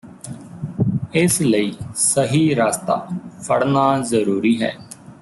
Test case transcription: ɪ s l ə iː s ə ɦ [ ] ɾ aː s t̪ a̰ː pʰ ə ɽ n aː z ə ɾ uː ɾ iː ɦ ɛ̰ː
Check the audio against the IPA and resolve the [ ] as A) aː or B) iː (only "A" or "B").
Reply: B